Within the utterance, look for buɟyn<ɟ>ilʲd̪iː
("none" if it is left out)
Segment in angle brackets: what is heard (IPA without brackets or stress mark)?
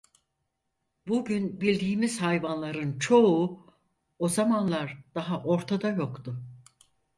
b